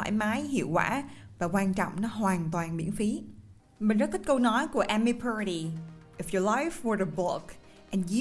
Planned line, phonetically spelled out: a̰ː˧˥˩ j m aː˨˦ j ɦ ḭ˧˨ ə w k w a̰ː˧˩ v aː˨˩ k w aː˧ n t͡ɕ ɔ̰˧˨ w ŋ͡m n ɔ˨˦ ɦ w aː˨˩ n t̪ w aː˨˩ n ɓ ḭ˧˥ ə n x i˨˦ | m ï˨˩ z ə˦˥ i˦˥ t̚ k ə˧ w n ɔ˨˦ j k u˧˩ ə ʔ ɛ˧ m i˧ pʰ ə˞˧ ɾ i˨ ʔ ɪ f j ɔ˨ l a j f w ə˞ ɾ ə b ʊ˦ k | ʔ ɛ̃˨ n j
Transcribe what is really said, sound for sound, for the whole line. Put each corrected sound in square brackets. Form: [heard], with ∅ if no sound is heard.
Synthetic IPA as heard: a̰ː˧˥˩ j m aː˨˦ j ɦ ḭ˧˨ ə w k w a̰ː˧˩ v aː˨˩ k w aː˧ n t͡ɕ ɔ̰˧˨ w ŋ͡m n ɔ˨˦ ɦ w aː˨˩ n t̪ w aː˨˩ n ɓ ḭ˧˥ ə n [f] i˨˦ | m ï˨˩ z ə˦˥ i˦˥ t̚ k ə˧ w n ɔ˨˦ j k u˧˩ ə ʔ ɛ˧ m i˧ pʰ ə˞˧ ɾ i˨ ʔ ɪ f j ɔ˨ l a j f w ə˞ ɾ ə b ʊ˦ k | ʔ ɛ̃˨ n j